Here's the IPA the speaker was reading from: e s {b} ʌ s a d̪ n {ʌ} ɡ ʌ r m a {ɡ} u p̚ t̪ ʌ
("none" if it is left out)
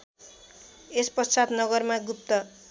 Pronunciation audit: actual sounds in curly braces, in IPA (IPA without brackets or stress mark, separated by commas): p, ʌ, ɡ